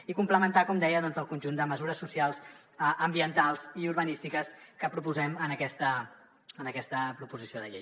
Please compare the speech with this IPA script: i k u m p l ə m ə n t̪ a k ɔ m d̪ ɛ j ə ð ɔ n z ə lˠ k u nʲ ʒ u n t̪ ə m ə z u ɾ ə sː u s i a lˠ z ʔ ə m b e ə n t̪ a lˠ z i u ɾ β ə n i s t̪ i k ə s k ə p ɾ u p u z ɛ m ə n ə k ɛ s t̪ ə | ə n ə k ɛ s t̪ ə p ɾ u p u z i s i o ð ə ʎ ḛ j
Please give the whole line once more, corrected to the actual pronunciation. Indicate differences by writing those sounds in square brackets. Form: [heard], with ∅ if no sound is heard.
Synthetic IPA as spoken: i k u m p l ə m ə n t̪ a k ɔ m d̪ ɛ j ə ð ɔ n z ə lˠ k u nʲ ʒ u n [d̪] ə m ə z u ɾ ə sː u s i a lˠ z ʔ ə m b [i] ə n t̪ a lˠ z i u ɾ β ə n i s t̪ i k ə s k ə p ɾ u p u z ɛ m ə n ə k ɛ s t̪ ə | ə n ə k ɛ s t̪ ə p ɾ u p u z i s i o ð ə ʎ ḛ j